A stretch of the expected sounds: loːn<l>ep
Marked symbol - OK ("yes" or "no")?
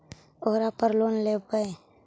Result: yes